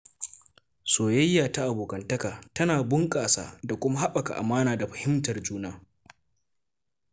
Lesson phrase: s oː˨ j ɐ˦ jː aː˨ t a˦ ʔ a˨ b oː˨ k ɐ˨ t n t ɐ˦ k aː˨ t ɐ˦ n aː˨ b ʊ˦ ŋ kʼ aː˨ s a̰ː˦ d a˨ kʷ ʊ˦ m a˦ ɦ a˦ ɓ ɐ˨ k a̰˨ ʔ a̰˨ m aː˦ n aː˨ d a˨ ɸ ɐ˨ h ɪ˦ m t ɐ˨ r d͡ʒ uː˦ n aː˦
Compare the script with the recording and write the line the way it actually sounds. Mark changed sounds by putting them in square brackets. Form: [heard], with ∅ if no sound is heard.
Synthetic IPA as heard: s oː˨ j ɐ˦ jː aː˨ t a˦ ʔ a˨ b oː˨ k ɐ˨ [∅] n t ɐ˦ k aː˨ t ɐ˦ n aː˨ b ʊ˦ ŋ kʼ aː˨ s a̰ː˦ d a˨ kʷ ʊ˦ m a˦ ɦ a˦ ɓ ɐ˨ k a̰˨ ʔ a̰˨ m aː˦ n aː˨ d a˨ ɸ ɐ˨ h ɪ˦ m t ɐ˨ r d͡ʒ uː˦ n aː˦